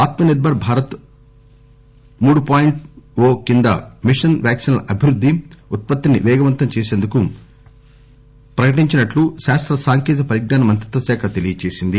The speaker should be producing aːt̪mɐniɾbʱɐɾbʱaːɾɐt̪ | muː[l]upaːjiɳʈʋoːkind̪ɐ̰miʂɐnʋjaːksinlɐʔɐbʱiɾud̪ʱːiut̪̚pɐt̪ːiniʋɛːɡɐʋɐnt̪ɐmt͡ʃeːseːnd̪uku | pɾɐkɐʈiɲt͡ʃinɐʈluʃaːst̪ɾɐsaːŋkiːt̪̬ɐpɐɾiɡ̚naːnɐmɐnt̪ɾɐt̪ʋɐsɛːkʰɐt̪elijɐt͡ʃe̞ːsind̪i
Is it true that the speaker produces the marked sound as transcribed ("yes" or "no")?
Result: no